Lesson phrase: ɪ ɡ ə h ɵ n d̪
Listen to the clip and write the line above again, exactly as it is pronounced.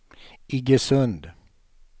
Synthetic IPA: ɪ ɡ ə s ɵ n d̪

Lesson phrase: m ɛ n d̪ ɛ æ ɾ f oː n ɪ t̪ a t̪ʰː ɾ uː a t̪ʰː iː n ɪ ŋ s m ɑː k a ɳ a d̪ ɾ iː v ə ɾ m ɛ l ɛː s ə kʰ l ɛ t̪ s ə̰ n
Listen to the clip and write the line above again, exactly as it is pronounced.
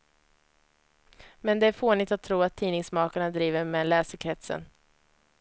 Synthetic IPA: m ɛ n d̪ ɛ æ ɾ f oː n ɪ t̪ a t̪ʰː ɾ uː a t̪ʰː iː n ɪ ŋ s m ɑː k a ɳ a d̪ ɾ iː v ə ɾ m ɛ l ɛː s ə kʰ ɾ ɛ t̪ s ə̰ n

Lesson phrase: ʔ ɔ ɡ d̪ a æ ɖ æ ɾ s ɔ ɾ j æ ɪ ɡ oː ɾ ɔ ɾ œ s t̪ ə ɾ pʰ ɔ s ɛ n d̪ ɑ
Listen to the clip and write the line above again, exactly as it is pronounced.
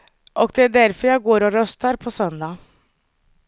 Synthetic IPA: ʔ ɔ ɡ d̪ ɛ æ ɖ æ ɾ f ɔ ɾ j æ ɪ ɡ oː ɾ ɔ ɾ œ s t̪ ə ɾ pʰ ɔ s œ n d̪ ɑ

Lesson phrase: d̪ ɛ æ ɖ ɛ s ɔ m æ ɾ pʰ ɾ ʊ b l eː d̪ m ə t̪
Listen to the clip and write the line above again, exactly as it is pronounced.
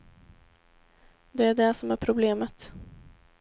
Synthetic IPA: d̪ ɛ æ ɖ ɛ s ɔ m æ ɾ pʰ ɾ ʊ b l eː m ə t̪

